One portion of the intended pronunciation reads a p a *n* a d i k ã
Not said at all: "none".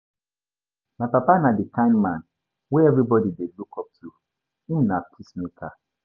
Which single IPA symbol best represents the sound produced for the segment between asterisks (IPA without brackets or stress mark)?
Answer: n